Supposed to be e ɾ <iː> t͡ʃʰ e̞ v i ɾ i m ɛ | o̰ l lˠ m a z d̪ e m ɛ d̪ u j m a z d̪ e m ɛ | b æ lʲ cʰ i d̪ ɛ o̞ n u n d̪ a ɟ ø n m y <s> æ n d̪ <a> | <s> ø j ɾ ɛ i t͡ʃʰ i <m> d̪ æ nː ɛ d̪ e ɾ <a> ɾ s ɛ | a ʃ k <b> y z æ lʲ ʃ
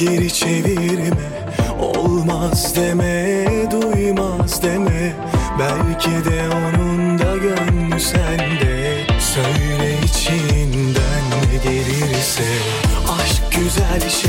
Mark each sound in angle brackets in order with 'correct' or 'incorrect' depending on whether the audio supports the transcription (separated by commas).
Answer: incorrect, correct, incorrect, correct, incorrect, incorrect, incorrect